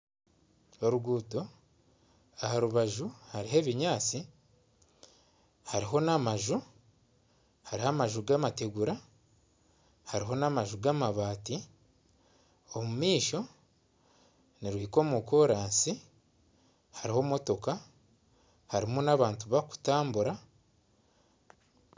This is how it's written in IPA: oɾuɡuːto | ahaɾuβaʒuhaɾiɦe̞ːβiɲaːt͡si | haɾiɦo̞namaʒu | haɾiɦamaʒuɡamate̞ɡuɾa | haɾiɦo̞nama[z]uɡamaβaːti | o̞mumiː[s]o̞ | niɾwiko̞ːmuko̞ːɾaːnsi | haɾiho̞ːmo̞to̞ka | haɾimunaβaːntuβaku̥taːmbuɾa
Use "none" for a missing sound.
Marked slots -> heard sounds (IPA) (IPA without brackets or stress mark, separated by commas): ʒ, ʃ